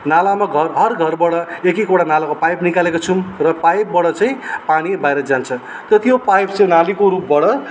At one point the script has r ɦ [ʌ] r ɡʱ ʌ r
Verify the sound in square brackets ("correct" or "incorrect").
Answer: correct